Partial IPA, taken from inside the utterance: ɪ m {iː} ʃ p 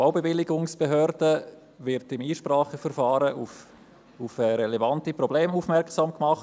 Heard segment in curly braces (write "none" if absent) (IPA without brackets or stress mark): iː